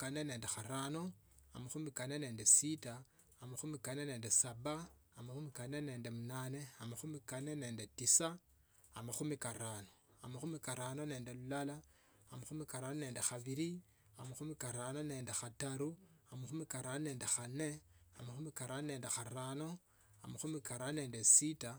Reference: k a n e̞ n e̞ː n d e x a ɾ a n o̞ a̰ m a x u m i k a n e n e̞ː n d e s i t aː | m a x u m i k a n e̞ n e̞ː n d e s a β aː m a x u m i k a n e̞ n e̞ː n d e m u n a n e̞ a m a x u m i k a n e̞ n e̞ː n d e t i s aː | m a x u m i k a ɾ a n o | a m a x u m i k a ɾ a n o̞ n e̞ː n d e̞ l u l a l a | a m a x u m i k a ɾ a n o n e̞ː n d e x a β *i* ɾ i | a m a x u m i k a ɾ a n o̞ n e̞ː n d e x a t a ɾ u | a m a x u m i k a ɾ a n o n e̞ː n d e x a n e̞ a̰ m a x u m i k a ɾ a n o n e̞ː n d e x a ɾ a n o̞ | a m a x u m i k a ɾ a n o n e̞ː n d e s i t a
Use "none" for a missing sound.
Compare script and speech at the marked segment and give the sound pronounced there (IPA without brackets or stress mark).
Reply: i